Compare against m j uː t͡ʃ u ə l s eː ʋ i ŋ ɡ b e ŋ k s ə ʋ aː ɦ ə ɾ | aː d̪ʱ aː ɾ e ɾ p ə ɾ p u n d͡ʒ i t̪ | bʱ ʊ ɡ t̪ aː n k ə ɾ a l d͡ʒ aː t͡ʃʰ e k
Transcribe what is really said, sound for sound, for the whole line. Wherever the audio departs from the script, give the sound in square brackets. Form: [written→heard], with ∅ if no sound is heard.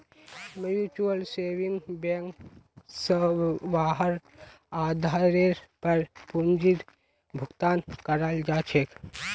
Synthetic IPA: m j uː t͡ʃ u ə l s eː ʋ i ŋ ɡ b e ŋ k s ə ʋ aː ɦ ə ɾ | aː d̪ʱ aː ɾ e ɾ p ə ɾ p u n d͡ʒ i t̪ | bʱ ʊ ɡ t̪ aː n k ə ɾ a l d͡ʒ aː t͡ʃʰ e k